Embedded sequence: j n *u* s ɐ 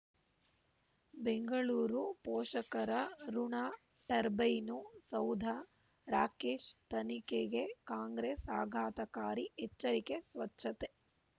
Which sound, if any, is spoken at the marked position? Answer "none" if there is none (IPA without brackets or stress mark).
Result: u